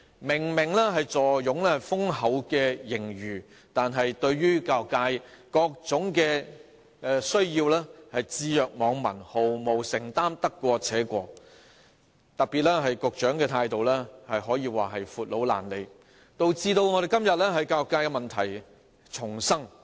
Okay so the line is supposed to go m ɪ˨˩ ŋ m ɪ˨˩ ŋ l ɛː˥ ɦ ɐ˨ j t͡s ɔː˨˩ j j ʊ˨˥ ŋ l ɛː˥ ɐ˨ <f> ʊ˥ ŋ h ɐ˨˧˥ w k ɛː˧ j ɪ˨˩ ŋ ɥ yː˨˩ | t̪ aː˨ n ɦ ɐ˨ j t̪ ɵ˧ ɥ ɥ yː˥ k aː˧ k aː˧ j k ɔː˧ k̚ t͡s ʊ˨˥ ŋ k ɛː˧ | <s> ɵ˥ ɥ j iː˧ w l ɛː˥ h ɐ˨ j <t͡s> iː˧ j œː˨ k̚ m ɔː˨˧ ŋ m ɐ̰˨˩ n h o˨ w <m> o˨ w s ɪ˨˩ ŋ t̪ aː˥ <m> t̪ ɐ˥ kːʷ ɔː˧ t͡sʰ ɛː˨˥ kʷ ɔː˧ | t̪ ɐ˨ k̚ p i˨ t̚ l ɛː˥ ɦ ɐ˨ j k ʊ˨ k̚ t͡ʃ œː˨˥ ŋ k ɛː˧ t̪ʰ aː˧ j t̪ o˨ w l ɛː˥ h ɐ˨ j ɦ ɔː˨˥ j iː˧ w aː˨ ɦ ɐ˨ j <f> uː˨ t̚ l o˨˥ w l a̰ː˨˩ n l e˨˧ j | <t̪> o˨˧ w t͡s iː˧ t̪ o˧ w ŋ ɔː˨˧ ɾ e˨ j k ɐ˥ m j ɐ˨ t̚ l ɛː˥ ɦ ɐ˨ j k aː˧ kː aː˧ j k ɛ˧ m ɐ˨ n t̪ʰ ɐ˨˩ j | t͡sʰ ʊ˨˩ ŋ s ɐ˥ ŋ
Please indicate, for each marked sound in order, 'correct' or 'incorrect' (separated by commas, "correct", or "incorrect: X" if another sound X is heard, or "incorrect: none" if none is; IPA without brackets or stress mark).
correct, correct, correct, correct, correct, correct, correct